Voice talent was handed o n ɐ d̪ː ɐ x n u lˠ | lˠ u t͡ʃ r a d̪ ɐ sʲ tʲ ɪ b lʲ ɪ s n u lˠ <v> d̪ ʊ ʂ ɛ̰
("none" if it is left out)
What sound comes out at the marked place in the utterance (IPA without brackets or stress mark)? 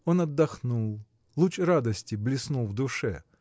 v